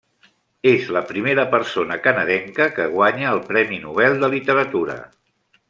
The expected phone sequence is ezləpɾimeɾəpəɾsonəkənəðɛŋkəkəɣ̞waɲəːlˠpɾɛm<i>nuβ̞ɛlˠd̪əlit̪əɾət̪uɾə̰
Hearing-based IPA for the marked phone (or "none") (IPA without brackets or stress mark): i